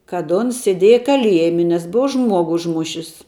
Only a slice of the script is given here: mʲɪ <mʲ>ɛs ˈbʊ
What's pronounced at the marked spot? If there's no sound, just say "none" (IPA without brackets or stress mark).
nʲ